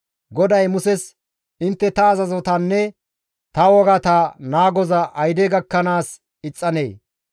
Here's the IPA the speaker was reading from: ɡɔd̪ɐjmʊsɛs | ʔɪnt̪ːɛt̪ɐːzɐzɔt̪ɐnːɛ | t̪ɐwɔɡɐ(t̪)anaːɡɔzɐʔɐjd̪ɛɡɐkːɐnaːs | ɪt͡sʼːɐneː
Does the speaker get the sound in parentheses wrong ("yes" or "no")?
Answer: no